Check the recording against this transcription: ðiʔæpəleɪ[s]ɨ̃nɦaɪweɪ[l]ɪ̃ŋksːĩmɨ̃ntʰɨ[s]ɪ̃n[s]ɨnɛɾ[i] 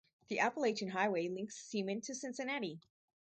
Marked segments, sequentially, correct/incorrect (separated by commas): incorrect, correct, correct, correct, correct